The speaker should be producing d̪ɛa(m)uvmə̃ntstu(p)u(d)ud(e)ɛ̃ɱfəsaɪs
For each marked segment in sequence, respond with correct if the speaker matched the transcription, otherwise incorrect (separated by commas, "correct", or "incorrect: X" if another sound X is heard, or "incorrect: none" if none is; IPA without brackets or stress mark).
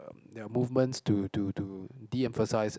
correct, incorrect: t, incorrect: t, incorrect: i